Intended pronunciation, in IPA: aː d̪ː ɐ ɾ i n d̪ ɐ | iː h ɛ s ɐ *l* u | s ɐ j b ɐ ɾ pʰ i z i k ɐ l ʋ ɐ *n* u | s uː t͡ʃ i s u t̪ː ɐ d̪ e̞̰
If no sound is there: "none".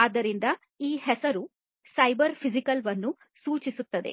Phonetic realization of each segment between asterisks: ɾ, nː

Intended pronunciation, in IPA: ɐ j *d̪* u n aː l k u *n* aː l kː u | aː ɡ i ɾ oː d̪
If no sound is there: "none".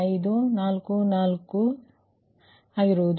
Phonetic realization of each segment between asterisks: d̪, n

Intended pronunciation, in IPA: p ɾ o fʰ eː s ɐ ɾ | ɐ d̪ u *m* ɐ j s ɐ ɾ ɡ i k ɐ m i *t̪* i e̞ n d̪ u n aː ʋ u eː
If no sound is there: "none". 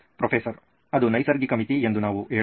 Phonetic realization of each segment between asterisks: n, t̪

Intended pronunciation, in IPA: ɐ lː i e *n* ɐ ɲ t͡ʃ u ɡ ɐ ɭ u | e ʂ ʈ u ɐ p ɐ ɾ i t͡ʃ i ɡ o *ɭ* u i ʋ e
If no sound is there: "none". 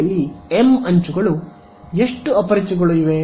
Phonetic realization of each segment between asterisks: m, ɭ

